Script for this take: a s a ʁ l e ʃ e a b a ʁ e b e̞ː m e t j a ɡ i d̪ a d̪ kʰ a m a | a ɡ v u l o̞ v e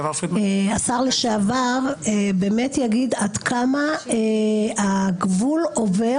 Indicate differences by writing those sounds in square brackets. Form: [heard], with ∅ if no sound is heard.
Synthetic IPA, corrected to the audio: a s a ʁ l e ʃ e a [v] a ʁ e b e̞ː m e t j a ɡ i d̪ a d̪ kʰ a m a | a ɡ v u l o̞ v e